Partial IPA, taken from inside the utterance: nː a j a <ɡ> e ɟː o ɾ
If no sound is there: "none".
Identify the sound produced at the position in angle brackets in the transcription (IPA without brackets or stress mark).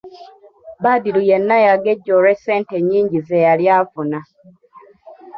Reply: ɡ